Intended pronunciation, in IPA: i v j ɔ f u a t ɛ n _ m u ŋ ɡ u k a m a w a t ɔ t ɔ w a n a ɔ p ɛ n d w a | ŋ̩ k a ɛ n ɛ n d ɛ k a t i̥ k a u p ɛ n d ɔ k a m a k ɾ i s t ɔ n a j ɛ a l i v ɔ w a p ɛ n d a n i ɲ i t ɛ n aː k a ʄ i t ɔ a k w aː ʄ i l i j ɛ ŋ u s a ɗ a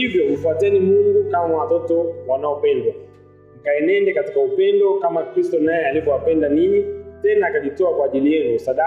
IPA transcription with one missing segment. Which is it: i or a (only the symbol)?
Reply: i